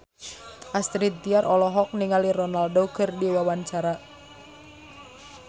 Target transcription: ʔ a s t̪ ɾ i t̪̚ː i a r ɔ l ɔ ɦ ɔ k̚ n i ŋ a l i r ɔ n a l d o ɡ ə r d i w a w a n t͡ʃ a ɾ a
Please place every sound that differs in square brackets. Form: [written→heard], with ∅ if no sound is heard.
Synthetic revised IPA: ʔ a s t̪ ɾ i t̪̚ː i a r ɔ l ɔ ɦ ɔ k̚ n i ŋ a l i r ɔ n a l d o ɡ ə r d i w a w a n t͡ʃ a ɾ a